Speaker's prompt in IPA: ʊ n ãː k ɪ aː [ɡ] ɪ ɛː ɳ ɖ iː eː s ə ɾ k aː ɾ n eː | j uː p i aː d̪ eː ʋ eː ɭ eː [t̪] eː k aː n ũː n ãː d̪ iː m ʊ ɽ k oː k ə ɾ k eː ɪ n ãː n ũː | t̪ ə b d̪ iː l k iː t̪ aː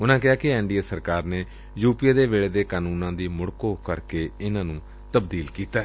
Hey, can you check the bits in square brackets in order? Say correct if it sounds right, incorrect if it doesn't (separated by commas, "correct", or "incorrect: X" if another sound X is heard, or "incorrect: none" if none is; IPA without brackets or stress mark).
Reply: incorrect: k, incorrect: d̪